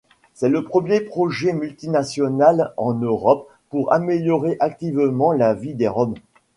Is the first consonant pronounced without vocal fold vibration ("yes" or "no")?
yes